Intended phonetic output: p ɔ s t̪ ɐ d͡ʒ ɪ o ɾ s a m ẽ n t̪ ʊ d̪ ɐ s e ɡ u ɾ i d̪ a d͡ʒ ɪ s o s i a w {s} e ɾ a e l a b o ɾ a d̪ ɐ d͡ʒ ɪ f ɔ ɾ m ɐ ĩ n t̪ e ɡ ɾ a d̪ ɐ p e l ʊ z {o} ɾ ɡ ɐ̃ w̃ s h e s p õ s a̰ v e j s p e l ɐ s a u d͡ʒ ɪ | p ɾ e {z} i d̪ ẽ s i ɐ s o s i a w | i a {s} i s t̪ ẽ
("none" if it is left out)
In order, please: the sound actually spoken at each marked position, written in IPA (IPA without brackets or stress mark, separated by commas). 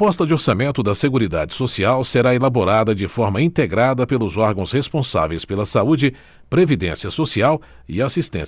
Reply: s, ɔ, v, s